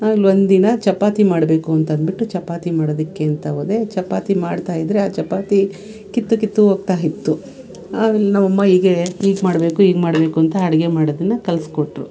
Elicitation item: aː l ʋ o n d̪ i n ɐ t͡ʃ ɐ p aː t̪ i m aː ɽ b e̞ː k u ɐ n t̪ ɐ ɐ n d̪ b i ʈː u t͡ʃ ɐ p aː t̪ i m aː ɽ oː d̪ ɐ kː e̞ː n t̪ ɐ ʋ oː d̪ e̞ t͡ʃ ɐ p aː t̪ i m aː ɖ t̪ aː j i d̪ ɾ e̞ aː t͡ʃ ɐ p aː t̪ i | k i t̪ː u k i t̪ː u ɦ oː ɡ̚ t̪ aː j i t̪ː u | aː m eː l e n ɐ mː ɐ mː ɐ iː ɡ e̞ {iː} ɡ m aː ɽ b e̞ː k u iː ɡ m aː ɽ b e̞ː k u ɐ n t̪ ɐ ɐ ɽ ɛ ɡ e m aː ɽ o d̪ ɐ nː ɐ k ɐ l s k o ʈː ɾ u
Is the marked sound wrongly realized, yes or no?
no